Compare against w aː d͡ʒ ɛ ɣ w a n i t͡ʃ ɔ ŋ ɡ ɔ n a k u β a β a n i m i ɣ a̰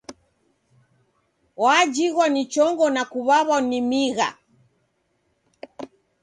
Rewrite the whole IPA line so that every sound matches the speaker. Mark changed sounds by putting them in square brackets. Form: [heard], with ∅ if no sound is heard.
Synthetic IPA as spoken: w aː d͡ʒ [i] ɣ w a n i t͡ʃ ɔ ŋ ɡ ɔ n a k u β a β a n i m i ɣ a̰